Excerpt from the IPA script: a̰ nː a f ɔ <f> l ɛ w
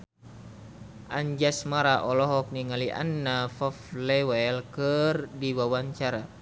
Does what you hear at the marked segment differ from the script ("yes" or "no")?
no